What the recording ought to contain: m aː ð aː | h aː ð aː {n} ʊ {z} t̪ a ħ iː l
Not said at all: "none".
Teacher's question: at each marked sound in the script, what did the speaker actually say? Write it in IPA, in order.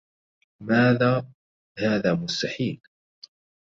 m, s

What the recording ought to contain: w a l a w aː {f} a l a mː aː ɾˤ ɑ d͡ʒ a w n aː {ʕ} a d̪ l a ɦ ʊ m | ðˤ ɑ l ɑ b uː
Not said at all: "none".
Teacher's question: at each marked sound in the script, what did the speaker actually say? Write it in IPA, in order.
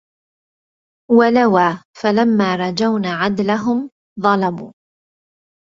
f, ʕ

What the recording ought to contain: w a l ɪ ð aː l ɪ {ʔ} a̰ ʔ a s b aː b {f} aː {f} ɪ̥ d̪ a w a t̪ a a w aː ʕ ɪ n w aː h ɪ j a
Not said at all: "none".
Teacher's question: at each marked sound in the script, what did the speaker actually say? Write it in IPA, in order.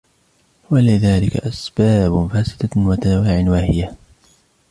k, f, s

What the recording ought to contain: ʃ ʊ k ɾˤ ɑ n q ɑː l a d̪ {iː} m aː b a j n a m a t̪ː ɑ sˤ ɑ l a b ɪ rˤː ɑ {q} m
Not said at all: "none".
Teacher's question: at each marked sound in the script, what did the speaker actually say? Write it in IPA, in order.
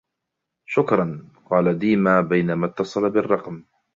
iː, q

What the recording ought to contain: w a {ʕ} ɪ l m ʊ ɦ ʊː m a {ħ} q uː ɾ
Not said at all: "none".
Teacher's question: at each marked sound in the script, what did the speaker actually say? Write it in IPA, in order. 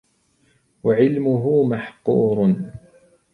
ʕ, ħ

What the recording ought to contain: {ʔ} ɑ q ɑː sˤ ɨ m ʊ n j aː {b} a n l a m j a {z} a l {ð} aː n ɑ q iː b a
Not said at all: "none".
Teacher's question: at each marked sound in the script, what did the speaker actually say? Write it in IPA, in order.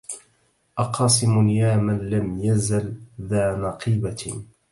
ʔ, m, z, ð

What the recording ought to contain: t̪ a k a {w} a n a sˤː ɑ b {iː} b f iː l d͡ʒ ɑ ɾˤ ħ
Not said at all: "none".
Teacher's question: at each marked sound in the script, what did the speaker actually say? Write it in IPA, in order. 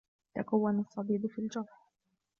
wː, iː

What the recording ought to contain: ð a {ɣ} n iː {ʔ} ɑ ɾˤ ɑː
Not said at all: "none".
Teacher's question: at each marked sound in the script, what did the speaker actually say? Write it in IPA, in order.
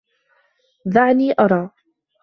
ʕ, ʔ

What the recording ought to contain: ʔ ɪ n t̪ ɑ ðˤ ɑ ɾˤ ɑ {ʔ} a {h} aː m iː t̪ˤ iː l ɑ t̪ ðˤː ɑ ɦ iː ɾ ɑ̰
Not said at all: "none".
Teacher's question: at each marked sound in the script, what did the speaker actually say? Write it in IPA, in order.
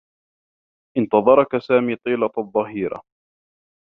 k, s

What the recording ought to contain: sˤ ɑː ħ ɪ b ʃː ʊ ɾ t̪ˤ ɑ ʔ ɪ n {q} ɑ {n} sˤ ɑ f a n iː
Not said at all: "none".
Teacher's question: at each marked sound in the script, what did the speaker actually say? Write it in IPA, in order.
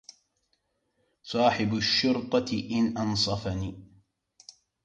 ʔ, n

